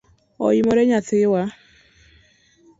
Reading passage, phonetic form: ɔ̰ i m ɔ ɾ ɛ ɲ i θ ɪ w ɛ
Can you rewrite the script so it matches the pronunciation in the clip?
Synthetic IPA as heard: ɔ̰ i m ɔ ɾ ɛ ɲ a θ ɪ w a